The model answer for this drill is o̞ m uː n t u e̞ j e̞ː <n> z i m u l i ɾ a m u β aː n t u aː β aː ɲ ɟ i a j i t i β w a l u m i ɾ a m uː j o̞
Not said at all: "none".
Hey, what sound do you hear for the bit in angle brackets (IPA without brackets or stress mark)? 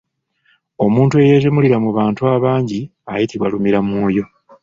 none